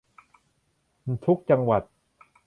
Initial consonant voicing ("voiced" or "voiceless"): voiceless